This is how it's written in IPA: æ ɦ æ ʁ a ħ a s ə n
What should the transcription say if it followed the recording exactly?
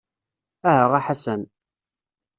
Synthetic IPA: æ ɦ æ ʁ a ħ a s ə n